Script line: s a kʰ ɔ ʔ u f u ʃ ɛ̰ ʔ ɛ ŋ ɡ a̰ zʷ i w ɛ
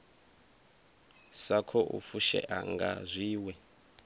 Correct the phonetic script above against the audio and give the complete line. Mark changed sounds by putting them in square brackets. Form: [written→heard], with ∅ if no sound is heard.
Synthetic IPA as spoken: s a kʰ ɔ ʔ u f u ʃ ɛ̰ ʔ [ɛ→a] ŋ ɡ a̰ zʷ [i→iː] w ɛ